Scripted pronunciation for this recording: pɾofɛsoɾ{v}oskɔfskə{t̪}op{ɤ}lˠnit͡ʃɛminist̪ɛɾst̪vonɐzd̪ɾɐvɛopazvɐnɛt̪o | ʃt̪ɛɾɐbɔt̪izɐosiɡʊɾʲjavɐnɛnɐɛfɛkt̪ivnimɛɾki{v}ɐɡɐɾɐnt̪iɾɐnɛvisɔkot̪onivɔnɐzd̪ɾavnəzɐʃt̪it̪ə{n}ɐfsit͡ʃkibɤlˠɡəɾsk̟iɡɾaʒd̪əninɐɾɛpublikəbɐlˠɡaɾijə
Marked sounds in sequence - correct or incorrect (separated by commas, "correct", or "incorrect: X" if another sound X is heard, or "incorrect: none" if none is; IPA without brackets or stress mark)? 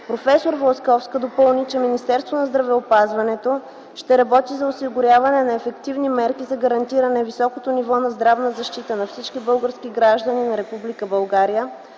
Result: correct, incorrect: d̪, correct, incorrect: z, correct